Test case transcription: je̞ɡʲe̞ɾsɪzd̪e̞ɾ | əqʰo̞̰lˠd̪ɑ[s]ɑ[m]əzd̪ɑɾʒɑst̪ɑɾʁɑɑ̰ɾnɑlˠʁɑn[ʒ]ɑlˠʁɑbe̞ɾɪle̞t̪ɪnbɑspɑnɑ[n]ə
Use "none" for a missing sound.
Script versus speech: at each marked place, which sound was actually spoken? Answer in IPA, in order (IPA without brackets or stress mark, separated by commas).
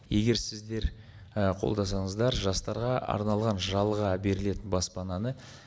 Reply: s, ɴ, ʒ, n